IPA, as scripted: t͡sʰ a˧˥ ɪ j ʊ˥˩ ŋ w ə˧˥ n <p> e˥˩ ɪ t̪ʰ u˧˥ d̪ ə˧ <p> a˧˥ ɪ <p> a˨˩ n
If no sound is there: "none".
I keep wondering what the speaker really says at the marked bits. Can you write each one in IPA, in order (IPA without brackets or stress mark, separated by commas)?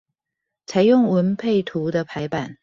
pʰ, pʰ, p